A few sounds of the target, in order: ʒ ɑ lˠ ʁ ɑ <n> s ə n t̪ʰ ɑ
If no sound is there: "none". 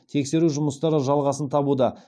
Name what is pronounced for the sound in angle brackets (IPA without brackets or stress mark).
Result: none